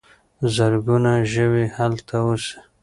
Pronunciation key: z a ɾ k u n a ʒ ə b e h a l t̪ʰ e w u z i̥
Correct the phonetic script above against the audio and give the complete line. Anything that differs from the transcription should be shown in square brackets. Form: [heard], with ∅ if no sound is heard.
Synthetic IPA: z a ɾ [ɡ] u n a ʒ ə [w] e h a l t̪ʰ [a] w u [s] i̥